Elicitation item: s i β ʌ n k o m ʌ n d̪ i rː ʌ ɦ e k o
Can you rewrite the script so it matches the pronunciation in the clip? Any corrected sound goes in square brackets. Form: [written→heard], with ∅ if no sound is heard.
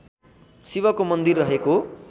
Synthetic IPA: s i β ʌ [n→∅] k o m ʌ n d̪ i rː ʌ ɦ e k o